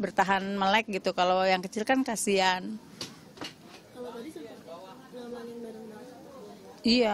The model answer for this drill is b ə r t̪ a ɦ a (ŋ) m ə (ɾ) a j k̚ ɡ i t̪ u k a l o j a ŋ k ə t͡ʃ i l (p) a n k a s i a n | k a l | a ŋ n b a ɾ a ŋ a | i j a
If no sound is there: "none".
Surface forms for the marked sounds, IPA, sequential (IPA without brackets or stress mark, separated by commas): n, l, k